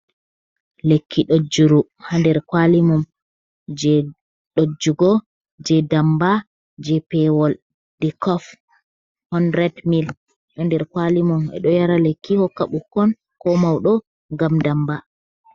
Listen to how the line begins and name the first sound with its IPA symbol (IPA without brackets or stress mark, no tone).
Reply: l